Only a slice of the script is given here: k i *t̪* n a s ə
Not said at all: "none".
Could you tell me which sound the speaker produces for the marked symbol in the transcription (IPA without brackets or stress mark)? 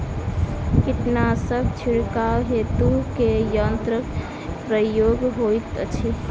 t̪